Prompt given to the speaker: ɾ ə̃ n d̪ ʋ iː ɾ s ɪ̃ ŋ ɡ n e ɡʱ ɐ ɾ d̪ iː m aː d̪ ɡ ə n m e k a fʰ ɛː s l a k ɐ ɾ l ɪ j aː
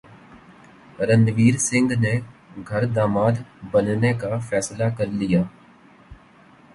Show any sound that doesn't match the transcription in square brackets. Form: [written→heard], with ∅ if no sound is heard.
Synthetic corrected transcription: ɾ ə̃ n d̪ ʋ iː ɾ s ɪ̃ ŋ ɡ n e ɡʱ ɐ ɾ d̪ [iː→aː] m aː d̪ [ɡ→b] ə n [m→n] e k a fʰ ɛː s l a k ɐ ɾ l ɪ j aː